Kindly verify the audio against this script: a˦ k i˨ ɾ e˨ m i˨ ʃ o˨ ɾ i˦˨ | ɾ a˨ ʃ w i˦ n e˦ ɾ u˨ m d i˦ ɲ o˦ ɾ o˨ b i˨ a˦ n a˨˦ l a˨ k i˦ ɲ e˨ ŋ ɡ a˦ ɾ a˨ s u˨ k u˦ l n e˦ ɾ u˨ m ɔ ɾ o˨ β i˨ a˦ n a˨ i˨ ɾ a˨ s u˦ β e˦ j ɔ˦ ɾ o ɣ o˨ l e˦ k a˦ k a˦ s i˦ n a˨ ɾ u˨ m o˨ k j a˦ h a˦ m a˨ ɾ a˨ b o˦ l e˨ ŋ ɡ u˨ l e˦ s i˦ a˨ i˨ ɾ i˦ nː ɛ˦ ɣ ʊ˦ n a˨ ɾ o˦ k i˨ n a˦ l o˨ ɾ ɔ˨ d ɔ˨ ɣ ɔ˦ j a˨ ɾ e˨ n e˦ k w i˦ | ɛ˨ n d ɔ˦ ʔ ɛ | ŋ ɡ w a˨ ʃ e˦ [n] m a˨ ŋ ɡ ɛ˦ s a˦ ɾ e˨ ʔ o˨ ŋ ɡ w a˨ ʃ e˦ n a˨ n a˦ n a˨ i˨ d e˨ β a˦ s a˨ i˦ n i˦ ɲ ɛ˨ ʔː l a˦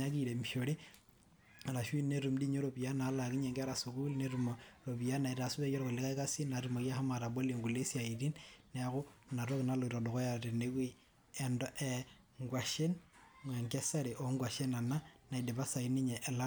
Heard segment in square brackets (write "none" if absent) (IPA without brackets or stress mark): n